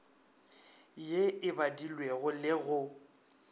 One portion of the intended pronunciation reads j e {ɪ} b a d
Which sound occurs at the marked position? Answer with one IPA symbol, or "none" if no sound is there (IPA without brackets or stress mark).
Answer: ɪ